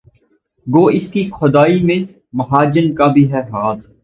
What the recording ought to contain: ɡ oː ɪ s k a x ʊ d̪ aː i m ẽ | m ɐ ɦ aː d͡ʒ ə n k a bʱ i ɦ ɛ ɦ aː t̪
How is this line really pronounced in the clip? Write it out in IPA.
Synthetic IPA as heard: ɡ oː ɪ s k i x ʊ d̪ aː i m ẽ | m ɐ ɦ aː d͡ʒ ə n k a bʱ i ɦ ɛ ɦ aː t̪